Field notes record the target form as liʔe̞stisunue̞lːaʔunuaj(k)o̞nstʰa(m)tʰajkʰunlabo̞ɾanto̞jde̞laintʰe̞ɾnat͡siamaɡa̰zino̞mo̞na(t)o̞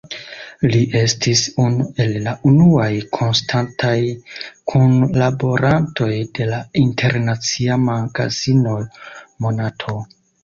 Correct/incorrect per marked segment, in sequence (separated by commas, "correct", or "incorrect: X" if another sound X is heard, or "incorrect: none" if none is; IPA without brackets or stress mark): incorrect: kʰ, incorrect: n, incorrect: tʰ